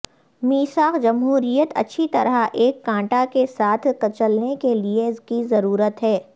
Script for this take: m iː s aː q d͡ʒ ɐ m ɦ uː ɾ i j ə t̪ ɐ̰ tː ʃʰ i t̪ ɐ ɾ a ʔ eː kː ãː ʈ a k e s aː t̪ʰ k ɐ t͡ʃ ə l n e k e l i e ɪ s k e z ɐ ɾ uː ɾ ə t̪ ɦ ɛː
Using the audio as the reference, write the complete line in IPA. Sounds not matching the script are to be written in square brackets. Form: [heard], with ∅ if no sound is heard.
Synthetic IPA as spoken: m iː s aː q d͡ʒ ɐ m ɦ uː ɾ i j ə t̪ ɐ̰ tː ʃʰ i t̪ ɐ ɾ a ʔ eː kː ãː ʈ a k e s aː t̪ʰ k ɐ t͡ʃ ə l n e k e l i e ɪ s k [i] z ɐ ɾ uː ɾ ə t̪ ɦ ɛː